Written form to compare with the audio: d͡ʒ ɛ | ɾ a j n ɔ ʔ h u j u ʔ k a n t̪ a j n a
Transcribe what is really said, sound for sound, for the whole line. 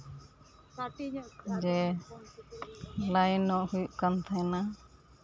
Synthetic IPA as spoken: d͡ʒ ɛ | l a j n ɔ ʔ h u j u ʔ k a n t̪ʰ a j n a